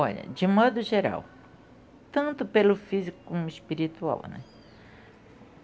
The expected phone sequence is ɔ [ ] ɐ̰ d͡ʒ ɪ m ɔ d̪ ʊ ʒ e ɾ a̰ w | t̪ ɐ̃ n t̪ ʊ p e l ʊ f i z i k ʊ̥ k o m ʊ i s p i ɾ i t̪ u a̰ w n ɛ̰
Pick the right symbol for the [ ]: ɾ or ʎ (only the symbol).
ʎ